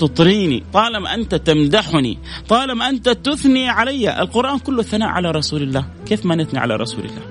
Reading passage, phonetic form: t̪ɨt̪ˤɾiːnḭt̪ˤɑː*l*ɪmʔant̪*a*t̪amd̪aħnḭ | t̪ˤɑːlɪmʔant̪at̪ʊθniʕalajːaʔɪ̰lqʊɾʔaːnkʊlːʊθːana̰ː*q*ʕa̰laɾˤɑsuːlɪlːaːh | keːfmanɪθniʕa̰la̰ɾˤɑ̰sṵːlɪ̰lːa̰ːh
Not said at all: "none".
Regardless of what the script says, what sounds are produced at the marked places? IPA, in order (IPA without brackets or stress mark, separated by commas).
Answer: l, a, ʔ